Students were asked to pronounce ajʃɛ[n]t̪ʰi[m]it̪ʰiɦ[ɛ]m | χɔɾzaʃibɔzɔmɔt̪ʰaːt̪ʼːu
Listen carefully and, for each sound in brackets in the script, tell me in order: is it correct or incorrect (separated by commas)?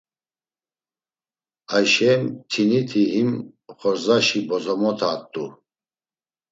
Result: incorrect, incorrect, incorrect